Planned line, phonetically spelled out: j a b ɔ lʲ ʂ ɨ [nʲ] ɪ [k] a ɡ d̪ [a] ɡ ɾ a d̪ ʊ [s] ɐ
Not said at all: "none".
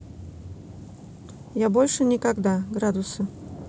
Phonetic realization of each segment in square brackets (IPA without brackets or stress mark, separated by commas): nʲ, k, a, s